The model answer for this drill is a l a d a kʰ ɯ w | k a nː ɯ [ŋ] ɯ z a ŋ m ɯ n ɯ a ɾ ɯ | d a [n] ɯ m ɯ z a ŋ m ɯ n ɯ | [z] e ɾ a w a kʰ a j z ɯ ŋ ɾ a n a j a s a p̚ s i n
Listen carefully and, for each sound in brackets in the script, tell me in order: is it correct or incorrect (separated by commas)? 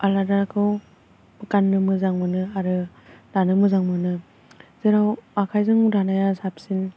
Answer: incorrect, correct, correct